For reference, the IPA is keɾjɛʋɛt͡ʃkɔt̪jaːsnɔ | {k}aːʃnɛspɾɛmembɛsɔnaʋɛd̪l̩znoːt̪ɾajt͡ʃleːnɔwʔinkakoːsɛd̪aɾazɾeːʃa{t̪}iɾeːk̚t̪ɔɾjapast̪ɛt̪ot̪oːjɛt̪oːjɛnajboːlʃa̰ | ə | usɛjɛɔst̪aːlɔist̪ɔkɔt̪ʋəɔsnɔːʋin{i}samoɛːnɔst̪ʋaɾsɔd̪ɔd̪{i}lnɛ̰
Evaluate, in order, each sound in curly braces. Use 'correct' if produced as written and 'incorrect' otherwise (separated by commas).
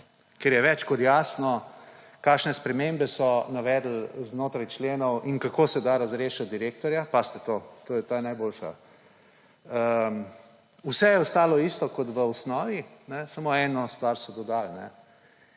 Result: correct, incorrect, incorrect, incorrect